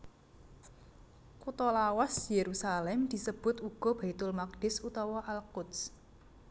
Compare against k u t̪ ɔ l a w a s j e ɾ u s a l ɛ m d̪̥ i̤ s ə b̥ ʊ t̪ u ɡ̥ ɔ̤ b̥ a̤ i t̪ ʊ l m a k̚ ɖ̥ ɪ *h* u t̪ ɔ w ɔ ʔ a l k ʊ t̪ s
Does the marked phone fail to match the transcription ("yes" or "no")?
yes